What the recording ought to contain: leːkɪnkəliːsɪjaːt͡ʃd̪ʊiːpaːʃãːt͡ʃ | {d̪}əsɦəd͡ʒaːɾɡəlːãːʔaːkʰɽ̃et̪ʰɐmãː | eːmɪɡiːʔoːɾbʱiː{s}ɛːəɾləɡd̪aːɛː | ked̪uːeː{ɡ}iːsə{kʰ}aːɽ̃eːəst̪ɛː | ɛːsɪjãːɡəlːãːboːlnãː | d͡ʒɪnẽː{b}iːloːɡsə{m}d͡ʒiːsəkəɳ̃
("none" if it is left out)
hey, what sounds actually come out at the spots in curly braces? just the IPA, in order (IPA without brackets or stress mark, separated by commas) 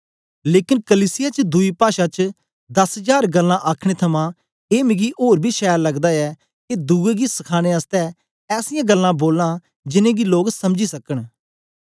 d̪, ʃ, ɡ, kʰ, ɡ, m